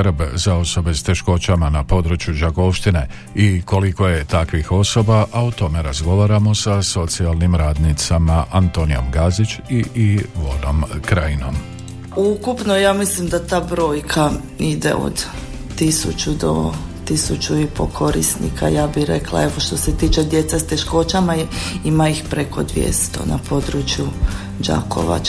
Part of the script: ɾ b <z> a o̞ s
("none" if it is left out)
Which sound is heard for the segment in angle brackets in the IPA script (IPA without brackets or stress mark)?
z